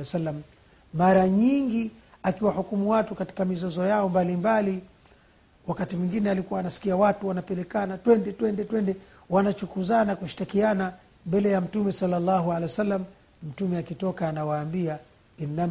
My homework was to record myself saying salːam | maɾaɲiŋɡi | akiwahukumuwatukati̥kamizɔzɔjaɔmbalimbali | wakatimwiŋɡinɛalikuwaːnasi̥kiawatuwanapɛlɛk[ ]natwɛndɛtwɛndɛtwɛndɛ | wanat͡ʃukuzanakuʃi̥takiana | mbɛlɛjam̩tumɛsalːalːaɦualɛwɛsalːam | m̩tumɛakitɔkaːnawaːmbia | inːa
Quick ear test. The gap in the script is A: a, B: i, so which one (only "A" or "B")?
A